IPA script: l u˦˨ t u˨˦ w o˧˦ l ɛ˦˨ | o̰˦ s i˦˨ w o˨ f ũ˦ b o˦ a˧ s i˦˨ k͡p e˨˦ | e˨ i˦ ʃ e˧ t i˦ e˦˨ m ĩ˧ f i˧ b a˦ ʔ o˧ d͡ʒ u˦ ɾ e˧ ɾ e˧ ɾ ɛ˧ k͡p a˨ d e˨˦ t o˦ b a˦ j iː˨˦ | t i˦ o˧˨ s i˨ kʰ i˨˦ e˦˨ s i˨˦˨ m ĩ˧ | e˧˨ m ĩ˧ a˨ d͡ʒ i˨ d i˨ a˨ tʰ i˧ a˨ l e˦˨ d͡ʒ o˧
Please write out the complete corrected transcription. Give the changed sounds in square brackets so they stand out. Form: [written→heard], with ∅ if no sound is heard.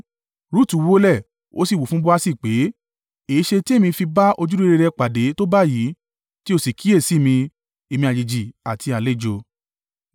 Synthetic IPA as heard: [l→ɾ] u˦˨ t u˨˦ w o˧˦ l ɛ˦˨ | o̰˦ s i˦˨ w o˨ f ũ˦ b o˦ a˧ s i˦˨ k͡p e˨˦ | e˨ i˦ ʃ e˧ t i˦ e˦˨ m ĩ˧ f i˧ b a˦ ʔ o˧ d͡ʒ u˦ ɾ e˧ ɾ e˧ ɾ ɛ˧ k͡p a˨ d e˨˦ t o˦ b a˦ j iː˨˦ | t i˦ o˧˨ s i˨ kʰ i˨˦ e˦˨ s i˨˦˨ m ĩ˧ | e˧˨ m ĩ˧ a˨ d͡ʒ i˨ [d→d͡ʒ] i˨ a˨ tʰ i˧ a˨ l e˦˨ d͡ʒ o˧

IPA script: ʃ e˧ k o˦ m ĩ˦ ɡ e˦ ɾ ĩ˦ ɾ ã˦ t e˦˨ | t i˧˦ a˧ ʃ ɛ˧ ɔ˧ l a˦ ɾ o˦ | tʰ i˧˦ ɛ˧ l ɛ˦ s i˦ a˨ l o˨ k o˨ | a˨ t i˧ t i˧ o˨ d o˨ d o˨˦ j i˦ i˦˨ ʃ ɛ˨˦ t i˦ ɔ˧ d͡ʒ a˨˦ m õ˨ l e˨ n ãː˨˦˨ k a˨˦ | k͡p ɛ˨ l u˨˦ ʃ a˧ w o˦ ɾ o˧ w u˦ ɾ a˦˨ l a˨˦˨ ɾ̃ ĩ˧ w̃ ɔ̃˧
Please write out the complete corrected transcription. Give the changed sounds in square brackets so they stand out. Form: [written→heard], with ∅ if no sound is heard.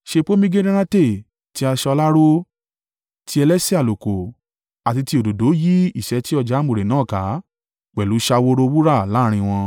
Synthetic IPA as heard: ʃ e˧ [k→k͡p] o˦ m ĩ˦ ɡ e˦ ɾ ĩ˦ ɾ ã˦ t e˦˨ | t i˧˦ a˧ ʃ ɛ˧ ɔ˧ l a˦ ɾ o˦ | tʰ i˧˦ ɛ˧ l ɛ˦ s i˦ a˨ l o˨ k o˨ | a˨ t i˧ t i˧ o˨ d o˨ d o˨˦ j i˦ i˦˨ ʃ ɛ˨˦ t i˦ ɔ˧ d͡ʒ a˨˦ m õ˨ [l→ɾ] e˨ n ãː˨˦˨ k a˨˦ | k͡p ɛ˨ l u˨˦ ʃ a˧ w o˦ ɾ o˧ w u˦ ɾ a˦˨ l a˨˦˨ ɾ̃ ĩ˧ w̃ ɔ̃˧

